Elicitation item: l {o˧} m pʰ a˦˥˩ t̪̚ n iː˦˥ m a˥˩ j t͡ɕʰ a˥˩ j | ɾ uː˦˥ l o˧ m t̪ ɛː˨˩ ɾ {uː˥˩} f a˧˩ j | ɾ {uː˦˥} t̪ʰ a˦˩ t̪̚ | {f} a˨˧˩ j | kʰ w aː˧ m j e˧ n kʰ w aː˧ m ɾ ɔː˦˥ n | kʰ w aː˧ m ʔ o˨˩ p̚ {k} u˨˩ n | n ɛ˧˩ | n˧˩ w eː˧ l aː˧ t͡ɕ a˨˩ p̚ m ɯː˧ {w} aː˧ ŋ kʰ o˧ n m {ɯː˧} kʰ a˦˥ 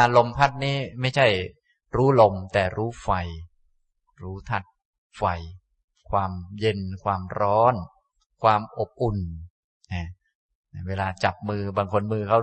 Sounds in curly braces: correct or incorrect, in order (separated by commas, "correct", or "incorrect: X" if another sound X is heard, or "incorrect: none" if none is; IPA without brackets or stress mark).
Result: correct, incorrect: uː˦˥, correct, correct, incorrect: ʔ, incorrect: b, correct